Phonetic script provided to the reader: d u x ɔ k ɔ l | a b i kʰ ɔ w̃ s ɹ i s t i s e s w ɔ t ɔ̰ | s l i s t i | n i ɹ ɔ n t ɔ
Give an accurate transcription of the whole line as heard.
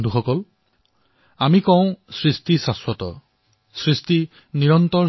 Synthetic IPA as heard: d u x ɔ k ɔ l | a m i k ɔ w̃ s ɹ i s t i s a s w ɔ t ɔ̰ | s ɹ i s t i | n i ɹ ɔ n t ɔ